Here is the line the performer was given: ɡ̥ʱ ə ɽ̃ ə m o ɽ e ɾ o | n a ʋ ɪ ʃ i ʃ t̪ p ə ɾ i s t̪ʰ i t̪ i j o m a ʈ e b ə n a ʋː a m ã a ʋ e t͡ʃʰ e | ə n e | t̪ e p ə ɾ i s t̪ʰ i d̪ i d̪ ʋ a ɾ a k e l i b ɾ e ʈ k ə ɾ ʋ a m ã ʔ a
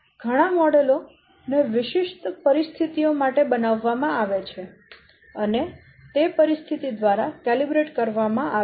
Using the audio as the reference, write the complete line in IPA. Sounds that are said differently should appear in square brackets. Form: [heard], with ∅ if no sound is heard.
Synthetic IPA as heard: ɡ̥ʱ ə ɽ̃ [a] m [ɔ] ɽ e [l] o | n [e] ʋ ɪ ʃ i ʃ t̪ p ə ɾ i s t̪ʰ i t̪ i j o m a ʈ e b ə n a ʋː a m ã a ʋ e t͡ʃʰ e | ə n e | t̪ e p ə ɾ i s t̪ʰ i [t̪] i d̪ ʋ a ɾ a k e l i b ɾ e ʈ k ə ɾ ʋ a m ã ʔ a

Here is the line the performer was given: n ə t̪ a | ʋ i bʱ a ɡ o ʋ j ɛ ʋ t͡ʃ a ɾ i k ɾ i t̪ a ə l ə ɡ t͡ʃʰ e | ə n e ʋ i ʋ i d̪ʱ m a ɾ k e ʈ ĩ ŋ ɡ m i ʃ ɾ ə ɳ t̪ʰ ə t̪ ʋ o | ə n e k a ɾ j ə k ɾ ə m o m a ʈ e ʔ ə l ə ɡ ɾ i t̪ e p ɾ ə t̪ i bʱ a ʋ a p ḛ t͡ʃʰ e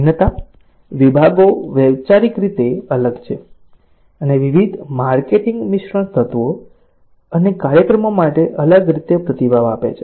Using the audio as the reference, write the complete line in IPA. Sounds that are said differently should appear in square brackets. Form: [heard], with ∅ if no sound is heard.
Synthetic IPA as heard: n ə t̪ a | ʋ i bʱ a ɡ o ʋ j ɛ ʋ t͡ʃ a ɾ i k ɾ i t̪ [e] ə l ə ɡ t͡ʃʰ e | ə n e ʋ i ʋ i d̪ʱ m a ɾ k e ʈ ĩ ŋ ɡ m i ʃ ɾ ə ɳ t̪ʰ ə t̪ ʋ o | ə n e k a ɾ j ə k ɾ ə m o m a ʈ e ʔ ə l ə ɡ ɾ i t̪ e p ɾ ə t̪ i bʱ a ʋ a p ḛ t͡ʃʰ e

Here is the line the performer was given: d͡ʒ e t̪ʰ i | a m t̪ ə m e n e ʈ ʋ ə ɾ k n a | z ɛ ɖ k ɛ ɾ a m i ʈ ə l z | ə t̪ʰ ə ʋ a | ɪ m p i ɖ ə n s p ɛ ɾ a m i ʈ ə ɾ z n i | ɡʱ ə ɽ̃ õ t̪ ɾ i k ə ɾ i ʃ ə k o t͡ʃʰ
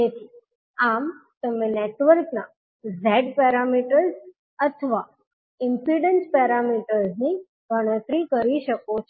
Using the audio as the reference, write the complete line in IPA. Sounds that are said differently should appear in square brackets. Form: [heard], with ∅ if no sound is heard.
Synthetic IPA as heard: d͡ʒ e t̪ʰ i | a m t̪ ə m e n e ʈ ʋ ə ɾ k n a | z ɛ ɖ [p] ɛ ɾ a m i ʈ ə [ɾ] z | ə t̪ʰ ə ʋ a | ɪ m p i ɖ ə n s p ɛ ɾ a m i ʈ ə ɾ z n i | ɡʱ ə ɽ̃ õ t̪ ɾ i k ə ɾ i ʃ ə k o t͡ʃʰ

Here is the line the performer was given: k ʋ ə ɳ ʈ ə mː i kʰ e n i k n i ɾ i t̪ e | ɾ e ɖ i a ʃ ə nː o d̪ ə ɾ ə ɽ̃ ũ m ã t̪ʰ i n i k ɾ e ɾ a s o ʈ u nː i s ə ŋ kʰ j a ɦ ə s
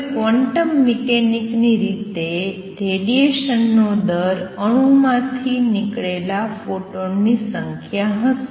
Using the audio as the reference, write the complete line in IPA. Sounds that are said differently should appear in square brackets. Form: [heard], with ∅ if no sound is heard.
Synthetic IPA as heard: k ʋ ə ɳ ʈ ə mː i [k] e n i k n i ɾ i t̪ e | ɾ e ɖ i [e] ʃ ə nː o d̪ ə ɾ ə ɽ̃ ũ m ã t̪ʰ i n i k [ɭ] e [l] a [f] o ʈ [o] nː i s ə ŋ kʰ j a ɦ ə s

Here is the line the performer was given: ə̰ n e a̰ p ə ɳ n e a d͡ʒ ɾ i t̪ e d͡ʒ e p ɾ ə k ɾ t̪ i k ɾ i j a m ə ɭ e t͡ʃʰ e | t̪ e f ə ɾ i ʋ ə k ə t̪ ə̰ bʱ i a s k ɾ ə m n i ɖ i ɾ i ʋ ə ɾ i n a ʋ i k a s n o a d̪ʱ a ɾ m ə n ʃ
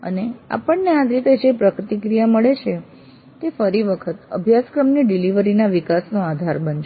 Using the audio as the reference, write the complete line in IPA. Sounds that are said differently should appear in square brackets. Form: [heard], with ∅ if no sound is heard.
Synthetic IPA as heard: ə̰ n e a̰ p ə ɳ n e a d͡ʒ ɾ i t̪ e d͡ʒ e p ɾ ə k ɾ t̪ i k ɾ i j a m ə ɭ e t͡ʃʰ e | t̪ e f ə ɾ i ʋ ə [kʰ] ə t̪ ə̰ bʱ [j] a s k ɾ ə m n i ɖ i [l] i ʋ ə ɾ i n a ʋ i k a s n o a d̪ʱ a ɾ [b] ə n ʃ

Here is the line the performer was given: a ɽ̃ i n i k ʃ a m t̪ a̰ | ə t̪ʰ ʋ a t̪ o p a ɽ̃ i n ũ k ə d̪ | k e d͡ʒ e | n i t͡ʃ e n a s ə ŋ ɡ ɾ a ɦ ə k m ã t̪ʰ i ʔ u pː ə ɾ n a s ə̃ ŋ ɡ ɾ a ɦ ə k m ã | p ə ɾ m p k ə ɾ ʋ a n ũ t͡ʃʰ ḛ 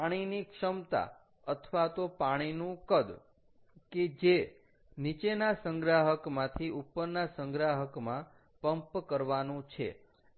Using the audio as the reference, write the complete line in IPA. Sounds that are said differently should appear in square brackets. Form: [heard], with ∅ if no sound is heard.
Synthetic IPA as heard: a ɽ̃ i n i k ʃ [ə] m t̪ a̰ | ə t̪ʰ ʋ a t̪ o p a ɽ̃ i n ũ k ə d̪ | k e d͡ʒ e | n i t͡ʃ e n a s ə ŋ ɡ ɾ a ɦ ə k m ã t̪ʰ i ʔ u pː ə ɾ n a s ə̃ ŋ ɡ ɾ a ɦ ə k m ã | p ə [∅] m p k ə ɾ ʋ a n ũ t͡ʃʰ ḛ

